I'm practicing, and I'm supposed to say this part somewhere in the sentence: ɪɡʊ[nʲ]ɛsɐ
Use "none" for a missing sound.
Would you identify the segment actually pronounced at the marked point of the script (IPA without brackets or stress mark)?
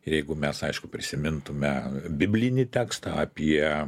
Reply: mʲ